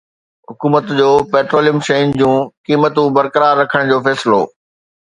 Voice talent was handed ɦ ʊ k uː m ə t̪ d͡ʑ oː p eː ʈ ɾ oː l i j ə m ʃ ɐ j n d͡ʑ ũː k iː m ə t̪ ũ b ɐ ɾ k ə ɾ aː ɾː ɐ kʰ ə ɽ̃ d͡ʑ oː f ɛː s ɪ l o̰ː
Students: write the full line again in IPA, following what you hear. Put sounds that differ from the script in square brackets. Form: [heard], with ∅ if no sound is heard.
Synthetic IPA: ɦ ʊ k uː m ə t̪ d͡ʑ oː p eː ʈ ɾ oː l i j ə m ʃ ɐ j n d͡ʑ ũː k iː m ə t̪ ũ b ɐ ɾ k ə ɾ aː ɾː ɐ kʰ ə ɽ̃ d͡ʑ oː f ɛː s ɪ l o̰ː

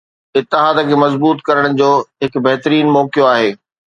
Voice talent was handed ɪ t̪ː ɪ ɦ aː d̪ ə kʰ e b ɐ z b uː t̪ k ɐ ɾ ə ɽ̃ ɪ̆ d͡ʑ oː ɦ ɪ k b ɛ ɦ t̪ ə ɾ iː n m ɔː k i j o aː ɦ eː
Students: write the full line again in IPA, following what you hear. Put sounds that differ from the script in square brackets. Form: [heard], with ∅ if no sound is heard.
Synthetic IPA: ɪ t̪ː ɪ ɦ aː d̪ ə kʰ e [m] ɐ z b uː t̪ k ɐ ɾ ə ɽ̃ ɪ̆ d͡ʑ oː ɦ ɪ k b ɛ ɦ t̪ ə ɾ iː n m ɔː k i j o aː ɦ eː

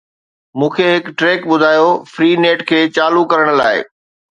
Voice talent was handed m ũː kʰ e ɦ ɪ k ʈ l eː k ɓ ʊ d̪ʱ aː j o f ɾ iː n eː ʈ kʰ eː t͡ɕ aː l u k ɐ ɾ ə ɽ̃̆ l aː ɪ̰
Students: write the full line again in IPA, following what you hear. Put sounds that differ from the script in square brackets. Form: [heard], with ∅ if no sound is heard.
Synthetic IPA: m ũː kʰ e ɦ ɪ k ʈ [ɾ] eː k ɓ ʊ d̪ʱ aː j o f ɾ iː n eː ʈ kʰ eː t͡ɕ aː l u k ɐ ɾ ə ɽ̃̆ l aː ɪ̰

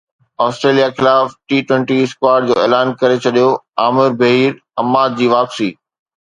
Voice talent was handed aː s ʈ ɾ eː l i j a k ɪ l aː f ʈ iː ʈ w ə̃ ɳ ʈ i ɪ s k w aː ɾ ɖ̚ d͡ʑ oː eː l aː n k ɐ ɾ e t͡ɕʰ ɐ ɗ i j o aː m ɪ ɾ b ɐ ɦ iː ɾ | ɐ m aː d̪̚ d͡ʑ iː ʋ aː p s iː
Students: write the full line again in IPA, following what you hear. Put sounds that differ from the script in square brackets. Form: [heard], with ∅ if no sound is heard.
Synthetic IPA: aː s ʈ ɾ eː l i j a [x] ɪ l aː f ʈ iː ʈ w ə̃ ɳ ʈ i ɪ s k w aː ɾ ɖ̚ d͡ʑ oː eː l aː n k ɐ ɾ e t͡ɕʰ ɐ ɗ i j o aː m ɪ ɾ b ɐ ɦ iː ɾ | ɐ m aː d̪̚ d͡ʑ iː ʋ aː p s iː

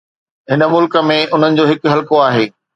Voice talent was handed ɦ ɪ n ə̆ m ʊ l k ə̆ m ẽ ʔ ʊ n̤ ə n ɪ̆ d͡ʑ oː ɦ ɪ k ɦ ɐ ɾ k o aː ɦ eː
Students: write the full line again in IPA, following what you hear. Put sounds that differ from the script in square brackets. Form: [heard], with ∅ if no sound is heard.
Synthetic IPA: ɦ ɪ n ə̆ m ʊ l k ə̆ m ẽ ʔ ʊ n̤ ə n ɪ̆ d͡ʑ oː ɦ ɪ k ɦ ɐ [l] k o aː ɦ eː

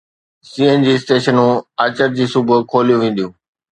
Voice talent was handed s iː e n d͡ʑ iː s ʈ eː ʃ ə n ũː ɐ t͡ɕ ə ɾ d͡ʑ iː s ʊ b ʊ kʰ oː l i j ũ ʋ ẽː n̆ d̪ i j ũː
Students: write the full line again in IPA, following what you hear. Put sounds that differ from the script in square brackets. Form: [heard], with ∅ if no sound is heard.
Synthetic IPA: s iː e n d͡ʑ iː s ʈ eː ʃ ə n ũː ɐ t͡ɕ ə ɾ d͡ʑ iː s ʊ b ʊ kʰ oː l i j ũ ʋ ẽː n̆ d̪ i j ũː

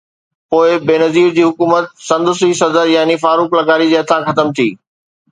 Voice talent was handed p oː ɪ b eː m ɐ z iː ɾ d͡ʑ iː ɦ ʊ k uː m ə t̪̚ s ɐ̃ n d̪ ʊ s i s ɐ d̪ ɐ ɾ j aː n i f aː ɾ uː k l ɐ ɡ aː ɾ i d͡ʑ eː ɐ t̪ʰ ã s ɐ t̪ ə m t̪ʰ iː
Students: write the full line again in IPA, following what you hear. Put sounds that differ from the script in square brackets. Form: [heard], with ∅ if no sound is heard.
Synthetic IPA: p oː ɪ b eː [n] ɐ z iː ɾ d͡ʑ iː ɦ ʊ k uː m ə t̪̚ s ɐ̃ n d̪ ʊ s i s ɐ d̪ [ə] ɾ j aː n i f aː ɾ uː k l ɐ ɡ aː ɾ i d͡ʑ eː ɐ t̪ʰ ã [x] ɐ t̪ ə m t̪ʰ iː

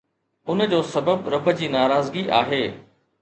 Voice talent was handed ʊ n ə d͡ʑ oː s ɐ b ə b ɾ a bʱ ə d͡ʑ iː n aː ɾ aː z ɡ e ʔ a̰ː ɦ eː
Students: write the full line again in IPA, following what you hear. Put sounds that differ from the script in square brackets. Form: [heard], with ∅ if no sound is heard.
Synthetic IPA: ʊ n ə d͡ʑ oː s ɐ b ə b ɾ [ɐ] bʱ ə d͡ʑ iː n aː ɾ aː z ɡ [i] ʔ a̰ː ɦ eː

